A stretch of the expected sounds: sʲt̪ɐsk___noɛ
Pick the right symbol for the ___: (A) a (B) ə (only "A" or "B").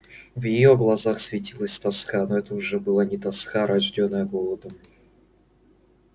A